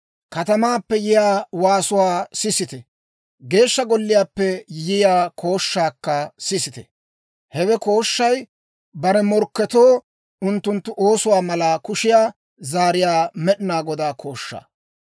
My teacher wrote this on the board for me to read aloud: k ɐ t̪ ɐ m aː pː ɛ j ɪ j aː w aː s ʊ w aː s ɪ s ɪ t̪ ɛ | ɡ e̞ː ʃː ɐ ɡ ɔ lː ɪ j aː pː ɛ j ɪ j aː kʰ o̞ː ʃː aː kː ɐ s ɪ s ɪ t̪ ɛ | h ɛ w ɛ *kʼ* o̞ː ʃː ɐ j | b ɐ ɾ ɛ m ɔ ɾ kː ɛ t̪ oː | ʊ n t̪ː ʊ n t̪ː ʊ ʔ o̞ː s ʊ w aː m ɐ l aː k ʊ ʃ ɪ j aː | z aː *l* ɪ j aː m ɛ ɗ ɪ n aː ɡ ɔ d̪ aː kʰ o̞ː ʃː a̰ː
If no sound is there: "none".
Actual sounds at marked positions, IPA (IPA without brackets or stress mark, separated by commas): k, ɾ